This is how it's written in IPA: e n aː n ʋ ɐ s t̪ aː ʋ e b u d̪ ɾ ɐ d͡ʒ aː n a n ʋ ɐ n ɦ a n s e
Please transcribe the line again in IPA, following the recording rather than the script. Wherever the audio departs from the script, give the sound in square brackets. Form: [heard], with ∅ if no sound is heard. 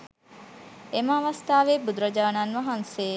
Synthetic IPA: e [m] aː [∅] ʋ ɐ s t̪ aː ʋ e b u d̪ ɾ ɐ d͡ʒ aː n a n ʋ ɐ [∅] ɦ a n s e